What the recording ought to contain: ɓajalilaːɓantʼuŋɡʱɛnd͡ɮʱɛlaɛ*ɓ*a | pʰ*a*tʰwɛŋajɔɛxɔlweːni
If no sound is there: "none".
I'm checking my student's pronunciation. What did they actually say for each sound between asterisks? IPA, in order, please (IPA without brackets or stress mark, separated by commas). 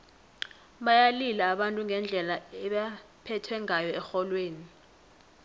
ɓ, ɛ